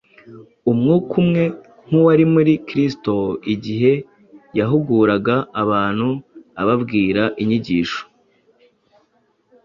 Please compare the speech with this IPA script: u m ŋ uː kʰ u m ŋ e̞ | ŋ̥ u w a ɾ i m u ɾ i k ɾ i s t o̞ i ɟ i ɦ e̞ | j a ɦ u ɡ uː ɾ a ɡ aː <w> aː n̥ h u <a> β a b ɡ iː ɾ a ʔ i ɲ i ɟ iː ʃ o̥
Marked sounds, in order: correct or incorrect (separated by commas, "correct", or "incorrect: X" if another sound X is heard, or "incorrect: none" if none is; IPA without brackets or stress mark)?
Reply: incorrect: β, correct